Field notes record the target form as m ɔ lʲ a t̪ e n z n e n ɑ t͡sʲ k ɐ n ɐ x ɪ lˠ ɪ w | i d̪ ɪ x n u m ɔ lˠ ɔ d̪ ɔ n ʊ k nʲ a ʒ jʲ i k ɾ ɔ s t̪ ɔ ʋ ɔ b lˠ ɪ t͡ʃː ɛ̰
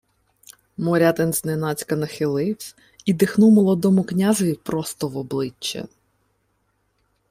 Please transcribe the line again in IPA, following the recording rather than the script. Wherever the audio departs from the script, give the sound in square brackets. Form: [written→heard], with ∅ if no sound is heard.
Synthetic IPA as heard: m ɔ [lʲ→ɾʲ] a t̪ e n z n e n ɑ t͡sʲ k ɐ n ɐ x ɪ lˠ ɪ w | i d̪ ɪ x n u m ɔ lˠ ɔ d̪ ɔ [n→m] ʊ k nʲ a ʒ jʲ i [k→p] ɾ ɔ s t̪ ɔ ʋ ɔ b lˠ ɪ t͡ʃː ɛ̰